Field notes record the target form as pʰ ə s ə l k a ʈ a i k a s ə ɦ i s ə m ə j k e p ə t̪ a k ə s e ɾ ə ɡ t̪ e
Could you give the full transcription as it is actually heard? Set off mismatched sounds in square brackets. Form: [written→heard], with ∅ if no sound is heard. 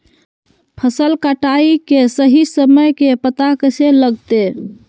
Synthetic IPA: pʰ ə s ə l k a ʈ a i k [a→e] s ə ɦ i s ə m ə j k e p ə t̪ a k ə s e [ɾ→l] ə ɡ t̪ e